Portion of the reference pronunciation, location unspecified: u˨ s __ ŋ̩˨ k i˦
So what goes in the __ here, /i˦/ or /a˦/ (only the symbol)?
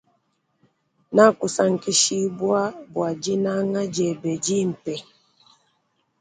a˦